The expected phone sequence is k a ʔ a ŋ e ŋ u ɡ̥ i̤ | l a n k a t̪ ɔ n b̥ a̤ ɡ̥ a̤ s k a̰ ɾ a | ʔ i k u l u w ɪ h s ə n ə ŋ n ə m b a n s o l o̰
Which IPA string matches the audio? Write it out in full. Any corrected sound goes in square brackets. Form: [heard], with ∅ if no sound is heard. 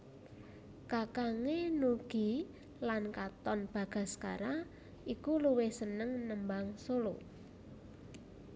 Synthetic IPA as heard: k a [k] a ŋ e [n] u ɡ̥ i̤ | l a n k a t̪ ɔ n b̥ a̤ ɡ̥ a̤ s k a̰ ɾ a | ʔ i k u l u w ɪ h s ə n ə ŋ n ə m b a [ŋ] s o l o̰